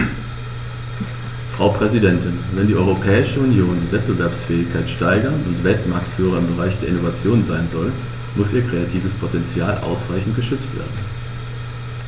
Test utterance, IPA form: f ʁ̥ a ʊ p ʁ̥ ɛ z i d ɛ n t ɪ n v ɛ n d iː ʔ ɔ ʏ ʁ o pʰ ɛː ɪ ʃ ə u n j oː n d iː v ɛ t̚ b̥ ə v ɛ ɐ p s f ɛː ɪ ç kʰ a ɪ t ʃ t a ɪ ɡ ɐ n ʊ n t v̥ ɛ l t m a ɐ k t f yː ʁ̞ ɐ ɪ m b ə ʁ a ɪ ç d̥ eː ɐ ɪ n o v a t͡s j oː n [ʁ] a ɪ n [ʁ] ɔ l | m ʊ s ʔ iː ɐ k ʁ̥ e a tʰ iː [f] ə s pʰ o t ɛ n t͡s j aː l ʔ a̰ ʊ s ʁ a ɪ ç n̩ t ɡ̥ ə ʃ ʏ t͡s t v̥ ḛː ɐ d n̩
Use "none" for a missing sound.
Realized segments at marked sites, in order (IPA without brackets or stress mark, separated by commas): z, z, v